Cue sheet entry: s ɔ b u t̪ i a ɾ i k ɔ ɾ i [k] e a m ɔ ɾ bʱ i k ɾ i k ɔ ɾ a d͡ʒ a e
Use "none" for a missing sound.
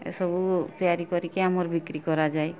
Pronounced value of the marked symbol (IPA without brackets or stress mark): k